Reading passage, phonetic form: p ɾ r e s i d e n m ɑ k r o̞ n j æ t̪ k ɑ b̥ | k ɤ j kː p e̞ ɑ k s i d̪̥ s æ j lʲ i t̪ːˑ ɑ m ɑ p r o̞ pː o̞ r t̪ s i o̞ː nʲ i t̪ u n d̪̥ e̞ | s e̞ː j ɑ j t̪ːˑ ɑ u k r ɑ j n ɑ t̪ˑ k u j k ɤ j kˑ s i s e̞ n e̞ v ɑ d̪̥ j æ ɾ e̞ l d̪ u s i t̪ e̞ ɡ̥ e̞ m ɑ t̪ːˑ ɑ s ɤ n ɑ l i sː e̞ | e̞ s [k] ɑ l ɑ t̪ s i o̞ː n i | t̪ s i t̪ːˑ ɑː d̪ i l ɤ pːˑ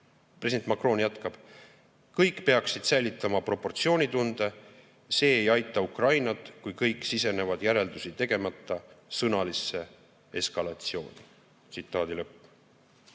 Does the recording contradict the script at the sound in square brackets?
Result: no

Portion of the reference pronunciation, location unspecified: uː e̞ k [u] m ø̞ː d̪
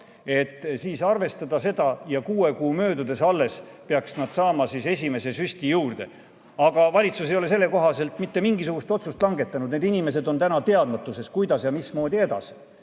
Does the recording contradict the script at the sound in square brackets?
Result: yes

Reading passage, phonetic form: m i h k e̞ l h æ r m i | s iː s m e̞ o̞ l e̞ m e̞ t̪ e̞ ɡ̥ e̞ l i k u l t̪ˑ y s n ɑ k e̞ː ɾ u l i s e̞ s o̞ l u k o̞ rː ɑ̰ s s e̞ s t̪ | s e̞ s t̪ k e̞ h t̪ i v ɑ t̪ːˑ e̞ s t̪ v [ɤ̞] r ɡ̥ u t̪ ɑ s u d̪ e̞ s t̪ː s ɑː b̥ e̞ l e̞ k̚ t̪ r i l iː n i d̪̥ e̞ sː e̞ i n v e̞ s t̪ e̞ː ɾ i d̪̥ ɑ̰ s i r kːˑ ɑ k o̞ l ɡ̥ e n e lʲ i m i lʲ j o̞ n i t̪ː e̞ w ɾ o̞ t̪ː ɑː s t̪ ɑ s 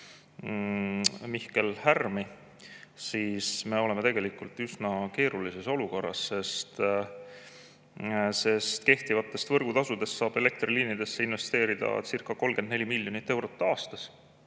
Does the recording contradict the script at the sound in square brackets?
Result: no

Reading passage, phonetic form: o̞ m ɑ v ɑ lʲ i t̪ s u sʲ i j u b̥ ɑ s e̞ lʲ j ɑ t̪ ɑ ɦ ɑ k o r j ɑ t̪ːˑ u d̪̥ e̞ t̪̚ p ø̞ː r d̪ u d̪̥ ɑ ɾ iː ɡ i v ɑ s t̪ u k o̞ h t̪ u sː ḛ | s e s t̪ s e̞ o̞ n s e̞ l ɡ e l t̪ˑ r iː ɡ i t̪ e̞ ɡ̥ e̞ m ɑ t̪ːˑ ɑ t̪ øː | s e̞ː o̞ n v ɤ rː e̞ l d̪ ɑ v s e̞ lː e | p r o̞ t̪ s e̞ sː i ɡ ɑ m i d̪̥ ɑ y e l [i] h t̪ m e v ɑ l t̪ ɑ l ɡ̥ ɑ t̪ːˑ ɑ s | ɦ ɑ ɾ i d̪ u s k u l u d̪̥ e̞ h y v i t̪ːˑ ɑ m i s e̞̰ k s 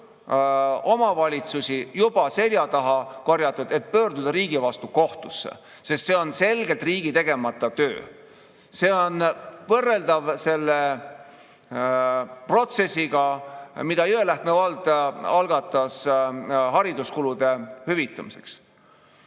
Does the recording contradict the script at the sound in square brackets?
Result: yes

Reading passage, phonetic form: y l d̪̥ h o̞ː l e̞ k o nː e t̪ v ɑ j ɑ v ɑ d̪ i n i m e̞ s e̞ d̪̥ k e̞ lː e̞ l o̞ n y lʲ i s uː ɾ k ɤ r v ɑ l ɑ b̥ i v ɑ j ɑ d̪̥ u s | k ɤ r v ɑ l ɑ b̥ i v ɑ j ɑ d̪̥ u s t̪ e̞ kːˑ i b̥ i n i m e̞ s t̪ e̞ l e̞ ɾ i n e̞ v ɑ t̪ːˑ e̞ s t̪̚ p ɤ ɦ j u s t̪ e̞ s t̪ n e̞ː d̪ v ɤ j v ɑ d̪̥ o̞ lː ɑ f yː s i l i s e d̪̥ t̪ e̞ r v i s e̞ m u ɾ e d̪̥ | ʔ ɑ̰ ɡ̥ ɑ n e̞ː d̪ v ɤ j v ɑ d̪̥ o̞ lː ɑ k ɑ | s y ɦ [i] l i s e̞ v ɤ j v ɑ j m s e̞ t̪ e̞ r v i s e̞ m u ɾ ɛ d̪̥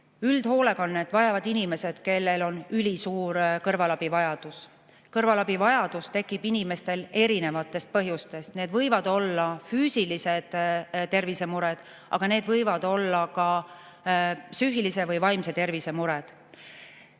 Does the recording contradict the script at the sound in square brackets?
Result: no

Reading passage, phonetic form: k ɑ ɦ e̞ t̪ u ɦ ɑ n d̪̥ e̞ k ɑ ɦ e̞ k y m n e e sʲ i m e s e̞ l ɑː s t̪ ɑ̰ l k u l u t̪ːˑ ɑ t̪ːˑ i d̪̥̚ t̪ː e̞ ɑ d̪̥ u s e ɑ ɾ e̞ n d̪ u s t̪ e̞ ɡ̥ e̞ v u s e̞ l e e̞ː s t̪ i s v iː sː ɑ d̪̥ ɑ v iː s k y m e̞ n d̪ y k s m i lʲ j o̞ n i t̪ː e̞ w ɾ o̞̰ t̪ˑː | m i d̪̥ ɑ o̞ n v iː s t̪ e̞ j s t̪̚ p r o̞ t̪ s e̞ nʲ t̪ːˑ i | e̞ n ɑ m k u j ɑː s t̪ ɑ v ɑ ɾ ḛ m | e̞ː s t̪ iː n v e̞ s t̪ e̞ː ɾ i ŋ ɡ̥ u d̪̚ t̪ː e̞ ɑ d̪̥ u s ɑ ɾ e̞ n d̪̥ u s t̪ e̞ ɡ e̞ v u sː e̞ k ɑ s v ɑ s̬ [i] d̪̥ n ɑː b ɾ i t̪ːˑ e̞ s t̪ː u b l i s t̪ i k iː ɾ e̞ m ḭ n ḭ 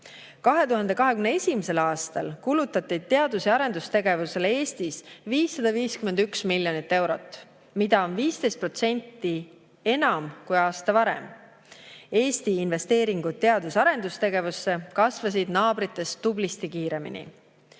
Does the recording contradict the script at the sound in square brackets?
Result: no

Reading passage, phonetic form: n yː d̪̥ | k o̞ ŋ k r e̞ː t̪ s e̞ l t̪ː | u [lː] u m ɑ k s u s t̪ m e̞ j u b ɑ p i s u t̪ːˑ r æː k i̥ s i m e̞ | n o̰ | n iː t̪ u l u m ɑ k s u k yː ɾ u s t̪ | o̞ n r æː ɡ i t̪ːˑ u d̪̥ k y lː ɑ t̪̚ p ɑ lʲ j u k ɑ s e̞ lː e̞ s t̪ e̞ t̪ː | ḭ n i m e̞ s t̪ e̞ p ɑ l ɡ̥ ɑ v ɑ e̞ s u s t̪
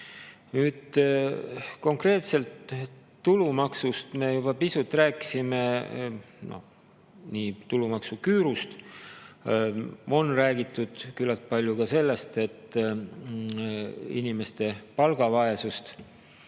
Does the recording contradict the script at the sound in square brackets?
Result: yes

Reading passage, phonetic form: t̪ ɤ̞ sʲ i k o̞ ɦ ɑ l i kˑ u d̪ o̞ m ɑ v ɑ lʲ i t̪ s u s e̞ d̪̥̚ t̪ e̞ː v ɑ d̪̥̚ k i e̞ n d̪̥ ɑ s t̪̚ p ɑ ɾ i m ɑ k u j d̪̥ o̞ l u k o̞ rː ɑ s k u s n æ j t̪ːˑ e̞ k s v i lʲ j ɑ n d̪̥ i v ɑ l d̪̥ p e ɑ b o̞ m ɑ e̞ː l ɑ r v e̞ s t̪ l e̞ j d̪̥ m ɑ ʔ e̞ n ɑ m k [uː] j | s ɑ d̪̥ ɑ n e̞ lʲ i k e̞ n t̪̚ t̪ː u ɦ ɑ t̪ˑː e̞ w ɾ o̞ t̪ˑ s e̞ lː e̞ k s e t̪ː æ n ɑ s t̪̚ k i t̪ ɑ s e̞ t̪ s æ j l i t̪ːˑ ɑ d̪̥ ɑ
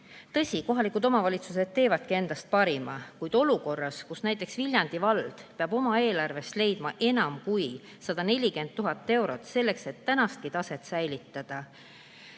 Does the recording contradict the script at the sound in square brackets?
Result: yes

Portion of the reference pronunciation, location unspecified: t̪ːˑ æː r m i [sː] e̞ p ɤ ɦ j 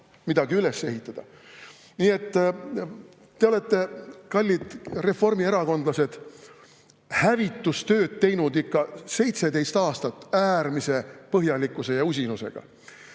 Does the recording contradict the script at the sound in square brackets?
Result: yes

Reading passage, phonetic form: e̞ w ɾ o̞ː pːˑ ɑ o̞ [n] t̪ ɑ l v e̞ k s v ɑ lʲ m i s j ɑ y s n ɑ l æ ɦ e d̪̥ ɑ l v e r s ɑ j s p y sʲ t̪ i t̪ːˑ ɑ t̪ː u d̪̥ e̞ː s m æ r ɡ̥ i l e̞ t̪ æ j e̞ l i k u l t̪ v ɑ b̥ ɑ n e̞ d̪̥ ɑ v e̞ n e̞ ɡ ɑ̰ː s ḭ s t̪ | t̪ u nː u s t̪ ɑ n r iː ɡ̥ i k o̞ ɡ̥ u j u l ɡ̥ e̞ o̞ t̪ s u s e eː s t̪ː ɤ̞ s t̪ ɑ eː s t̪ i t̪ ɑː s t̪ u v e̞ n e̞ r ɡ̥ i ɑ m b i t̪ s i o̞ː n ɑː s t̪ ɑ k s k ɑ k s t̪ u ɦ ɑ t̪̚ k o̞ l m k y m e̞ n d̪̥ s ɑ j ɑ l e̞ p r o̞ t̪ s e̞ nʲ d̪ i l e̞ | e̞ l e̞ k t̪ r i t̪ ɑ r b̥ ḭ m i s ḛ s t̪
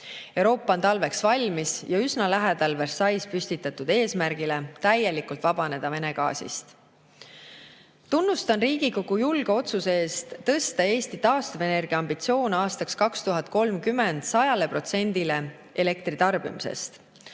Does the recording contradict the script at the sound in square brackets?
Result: no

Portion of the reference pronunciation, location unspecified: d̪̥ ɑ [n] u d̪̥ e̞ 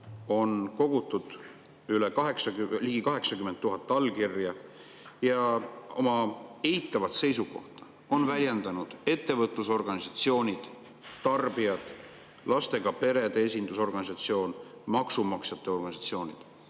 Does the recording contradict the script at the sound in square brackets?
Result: no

